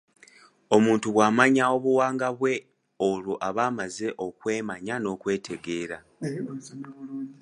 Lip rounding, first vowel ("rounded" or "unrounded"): rounded